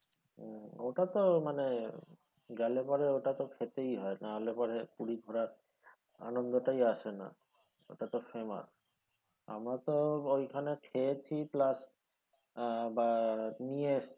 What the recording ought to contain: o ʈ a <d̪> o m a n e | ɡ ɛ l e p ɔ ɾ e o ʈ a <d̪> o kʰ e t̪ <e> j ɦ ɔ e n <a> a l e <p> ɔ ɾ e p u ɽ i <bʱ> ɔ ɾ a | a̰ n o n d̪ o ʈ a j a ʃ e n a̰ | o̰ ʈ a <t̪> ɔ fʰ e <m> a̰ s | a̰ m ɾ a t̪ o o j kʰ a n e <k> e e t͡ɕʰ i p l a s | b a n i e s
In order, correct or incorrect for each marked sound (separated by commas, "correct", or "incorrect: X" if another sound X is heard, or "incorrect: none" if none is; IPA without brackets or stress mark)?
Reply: incorrect: t̪, incorrect: t̪, correct, correct, correct, incorrect: ɡʱ, correct, correct, incorrect: kʰ